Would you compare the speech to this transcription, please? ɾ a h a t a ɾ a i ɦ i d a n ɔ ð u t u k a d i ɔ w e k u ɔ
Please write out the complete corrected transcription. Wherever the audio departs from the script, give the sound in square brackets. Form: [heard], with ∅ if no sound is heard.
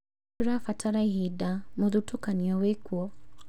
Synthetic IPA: ɾ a [f] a t a ɾ a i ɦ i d a [m] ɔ ð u t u k a [n] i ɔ w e k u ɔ